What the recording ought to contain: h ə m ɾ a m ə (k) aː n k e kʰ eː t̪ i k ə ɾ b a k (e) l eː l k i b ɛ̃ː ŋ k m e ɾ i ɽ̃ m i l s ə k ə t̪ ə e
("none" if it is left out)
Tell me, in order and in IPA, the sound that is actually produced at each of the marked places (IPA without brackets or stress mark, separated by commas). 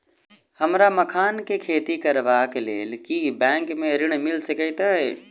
kʰ, e